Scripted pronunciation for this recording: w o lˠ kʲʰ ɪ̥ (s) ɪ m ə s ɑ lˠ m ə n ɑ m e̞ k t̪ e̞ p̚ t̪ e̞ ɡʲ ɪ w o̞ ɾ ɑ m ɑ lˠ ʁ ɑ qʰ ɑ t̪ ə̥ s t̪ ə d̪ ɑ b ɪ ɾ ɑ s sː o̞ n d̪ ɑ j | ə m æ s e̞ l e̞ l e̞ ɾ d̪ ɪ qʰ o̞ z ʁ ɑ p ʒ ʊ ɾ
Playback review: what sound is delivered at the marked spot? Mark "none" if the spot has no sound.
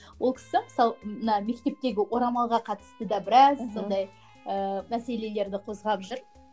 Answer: s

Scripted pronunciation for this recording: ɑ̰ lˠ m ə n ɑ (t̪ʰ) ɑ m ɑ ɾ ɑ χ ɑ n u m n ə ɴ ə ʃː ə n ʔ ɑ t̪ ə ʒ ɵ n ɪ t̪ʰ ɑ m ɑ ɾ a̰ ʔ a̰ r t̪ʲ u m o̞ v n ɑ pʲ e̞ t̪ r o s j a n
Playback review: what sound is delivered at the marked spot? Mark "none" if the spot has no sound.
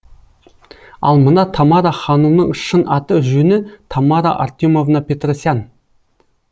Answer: t̪ʰ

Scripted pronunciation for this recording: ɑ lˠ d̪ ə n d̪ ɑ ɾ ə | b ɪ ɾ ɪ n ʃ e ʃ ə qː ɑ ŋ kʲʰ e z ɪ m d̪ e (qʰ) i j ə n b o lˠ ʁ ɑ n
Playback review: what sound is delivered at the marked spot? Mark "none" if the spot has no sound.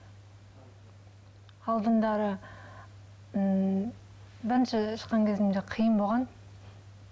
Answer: qʰ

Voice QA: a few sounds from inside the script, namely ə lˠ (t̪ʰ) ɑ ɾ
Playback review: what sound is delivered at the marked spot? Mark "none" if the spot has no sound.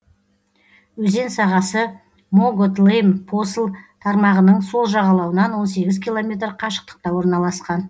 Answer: t̪ʰ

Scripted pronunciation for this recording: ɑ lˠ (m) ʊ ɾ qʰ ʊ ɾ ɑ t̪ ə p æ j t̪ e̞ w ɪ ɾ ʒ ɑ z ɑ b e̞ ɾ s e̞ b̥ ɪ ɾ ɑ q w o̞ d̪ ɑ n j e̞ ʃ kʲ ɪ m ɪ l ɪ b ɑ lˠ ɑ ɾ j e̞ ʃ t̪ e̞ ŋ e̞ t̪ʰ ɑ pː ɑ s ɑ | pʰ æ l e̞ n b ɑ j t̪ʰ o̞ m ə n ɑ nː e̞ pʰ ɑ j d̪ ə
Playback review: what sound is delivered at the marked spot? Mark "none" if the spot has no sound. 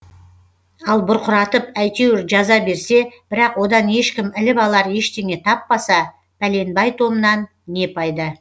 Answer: b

